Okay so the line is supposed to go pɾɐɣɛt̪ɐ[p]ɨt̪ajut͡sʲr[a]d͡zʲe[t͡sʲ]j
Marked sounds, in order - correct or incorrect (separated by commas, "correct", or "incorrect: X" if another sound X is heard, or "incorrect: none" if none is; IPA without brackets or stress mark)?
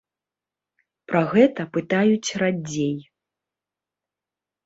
correct, correct, incorrect: none